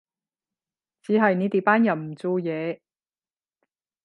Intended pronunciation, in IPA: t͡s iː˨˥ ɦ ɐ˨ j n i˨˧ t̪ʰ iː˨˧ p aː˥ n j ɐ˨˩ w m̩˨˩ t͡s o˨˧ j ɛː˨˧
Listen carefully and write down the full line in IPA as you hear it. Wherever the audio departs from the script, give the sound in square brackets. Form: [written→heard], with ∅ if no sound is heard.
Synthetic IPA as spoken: t͡s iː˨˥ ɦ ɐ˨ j n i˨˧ [t̪ʰ→t̪] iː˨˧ p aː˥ n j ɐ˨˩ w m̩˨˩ t͡s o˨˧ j ɛː˨˧